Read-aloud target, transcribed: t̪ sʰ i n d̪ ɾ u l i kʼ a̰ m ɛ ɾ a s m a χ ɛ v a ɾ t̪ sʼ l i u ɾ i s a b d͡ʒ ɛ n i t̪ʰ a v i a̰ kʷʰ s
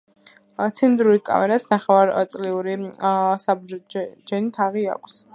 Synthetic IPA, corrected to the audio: t̪ sʰ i n d̪ ɾ u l i kʼ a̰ m ɛ ɾ a s n a χ ɛ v a ɾ t̪ sʼ l i u ɾ i s a b d͡ʒ ɛ n i t̪ʰ a ʁ i a̰ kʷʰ s